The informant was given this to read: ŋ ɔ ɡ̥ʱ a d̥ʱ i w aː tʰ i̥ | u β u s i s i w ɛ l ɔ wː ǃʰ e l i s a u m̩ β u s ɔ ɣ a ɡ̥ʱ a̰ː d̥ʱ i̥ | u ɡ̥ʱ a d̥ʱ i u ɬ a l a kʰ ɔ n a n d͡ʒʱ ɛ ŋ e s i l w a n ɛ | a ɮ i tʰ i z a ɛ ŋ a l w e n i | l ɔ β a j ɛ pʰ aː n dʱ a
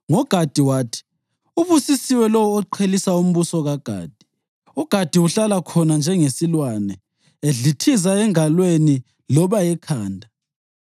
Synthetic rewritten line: ŋ ɔ ɡ̥ʱ a d̥ʱ i w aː tʰ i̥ | u β u s i s i w ɛ l ɔ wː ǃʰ e l i s a u m̩ β u s ɔ ɣ a ɡ̥ʱ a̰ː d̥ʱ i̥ | u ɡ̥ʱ a d̥ʱ i u ɬ a l a kʰ ɔ n a n d͡ʒʱ ɛ ŋ e s i l w a n ɛ | e ɮ i tʰ i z a ɛ ŋ a l w e n i | l ɔ β a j ɛ kʰ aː n dʱ a